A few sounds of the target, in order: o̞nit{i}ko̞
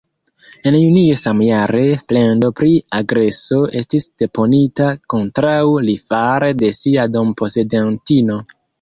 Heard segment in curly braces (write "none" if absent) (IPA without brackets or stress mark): a